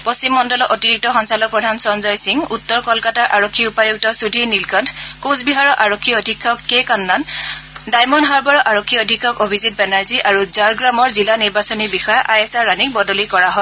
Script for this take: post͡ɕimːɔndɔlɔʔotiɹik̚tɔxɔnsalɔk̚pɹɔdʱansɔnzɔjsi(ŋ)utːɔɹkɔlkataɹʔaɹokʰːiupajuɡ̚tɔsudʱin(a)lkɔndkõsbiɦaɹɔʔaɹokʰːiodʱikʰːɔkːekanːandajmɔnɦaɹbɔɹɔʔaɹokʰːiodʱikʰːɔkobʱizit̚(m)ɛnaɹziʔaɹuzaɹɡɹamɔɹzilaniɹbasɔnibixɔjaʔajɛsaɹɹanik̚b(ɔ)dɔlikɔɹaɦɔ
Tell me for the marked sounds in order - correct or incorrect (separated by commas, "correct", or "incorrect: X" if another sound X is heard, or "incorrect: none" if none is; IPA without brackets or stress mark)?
correct, incorrect: i, incorrect: b, correct